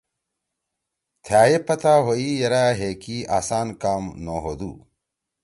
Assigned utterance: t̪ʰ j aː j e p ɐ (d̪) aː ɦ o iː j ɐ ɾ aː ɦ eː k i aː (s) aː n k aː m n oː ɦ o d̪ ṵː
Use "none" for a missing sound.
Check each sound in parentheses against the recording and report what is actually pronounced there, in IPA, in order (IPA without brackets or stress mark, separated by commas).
t̪, s